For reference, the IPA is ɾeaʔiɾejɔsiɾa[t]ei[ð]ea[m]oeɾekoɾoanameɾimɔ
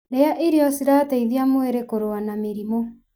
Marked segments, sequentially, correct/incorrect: correct, correct, correct

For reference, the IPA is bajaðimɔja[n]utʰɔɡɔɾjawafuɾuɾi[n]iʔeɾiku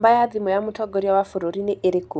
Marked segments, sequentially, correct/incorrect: incorrect: m, correct

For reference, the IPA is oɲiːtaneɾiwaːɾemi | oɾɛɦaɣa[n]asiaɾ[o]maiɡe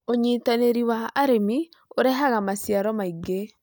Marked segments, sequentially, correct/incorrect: incorrect: m, incorrect: ɔ

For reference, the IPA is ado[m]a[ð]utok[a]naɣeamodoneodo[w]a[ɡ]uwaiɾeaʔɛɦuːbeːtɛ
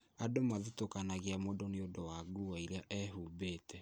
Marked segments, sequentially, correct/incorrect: correct, correct, correct, correct, correct

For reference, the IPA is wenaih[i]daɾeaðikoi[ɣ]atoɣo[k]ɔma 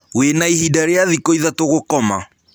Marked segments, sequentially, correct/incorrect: correct, incorrect: ð, correct

